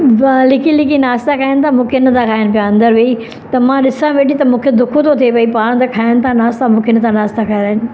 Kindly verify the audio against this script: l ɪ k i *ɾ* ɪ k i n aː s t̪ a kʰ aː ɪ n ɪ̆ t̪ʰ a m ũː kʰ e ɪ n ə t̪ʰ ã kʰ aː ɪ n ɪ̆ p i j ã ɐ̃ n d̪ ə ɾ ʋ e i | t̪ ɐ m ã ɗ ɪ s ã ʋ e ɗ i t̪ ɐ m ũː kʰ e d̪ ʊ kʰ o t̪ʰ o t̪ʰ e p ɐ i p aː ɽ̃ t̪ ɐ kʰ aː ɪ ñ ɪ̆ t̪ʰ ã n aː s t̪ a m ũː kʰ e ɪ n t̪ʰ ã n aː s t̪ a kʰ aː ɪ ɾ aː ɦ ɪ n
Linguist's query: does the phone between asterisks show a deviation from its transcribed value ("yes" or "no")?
yes